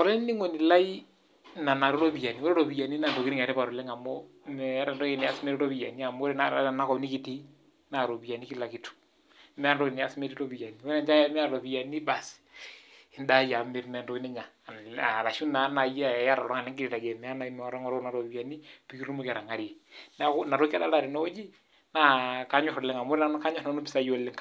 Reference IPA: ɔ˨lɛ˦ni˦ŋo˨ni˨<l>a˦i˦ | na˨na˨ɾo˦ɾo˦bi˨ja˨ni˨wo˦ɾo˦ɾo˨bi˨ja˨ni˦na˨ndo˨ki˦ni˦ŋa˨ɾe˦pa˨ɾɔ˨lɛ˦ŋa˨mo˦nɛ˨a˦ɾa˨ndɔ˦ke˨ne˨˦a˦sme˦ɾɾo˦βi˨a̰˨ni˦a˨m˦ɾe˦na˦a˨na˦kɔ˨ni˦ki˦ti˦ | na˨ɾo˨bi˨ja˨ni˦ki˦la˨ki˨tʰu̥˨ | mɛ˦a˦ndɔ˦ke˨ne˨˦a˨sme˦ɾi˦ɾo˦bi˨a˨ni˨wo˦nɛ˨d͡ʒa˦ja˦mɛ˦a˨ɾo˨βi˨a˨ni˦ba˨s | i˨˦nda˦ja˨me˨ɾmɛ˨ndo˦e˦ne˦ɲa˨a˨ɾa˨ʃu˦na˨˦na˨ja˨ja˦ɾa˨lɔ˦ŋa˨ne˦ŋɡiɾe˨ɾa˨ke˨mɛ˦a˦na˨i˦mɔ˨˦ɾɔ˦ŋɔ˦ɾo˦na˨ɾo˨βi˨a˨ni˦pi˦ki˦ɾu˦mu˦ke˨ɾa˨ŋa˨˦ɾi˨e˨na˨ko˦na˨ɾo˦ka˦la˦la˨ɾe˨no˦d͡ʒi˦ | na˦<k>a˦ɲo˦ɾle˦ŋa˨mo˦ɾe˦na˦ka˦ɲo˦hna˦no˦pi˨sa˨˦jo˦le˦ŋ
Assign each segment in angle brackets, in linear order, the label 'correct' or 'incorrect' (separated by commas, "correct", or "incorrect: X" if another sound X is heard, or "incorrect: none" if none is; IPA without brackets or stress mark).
correct, correct